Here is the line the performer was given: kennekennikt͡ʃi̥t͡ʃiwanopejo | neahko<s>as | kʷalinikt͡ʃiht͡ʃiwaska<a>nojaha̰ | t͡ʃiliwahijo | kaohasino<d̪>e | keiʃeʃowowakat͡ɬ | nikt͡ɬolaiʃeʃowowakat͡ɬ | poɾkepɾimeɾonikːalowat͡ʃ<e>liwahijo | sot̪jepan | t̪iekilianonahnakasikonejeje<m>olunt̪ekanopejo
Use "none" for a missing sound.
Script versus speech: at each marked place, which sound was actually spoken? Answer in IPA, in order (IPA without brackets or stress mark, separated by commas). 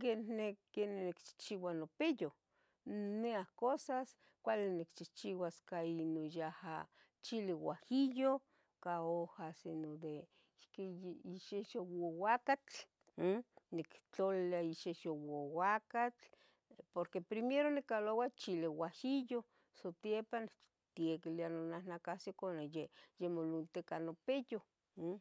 s, i, d̪, i, m